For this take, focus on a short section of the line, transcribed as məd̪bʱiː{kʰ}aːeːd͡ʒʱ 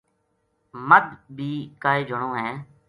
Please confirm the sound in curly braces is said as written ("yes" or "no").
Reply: no